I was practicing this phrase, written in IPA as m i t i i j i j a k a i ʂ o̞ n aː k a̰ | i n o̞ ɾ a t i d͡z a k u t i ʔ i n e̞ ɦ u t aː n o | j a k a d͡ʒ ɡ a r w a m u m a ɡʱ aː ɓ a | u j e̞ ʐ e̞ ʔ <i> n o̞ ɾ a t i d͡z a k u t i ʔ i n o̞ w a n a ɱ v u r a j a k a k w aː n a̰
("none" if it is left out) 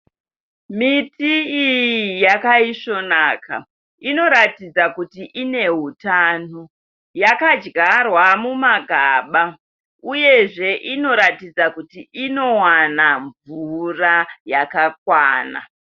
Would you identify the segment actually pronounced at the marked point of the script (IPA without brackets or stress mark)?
i